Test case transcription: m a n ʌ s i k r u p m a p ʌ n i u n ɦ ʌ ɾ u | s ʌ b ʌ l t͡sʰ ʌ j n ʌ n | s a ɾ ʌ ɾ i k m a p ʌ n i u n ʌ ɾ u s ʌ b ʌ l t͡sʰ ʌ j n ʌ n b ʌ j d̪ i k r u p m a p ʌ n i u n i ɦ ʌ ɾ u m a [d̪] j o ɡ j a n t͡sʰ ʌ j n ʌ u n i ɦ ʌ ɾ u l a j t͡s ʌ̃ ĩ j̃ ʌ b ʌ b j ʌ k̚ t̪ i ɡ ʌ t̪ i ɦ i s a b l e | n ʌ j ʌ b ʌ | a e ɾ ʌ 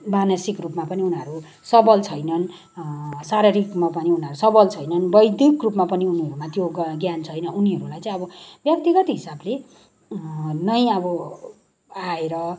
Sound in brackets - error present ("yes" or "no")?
yes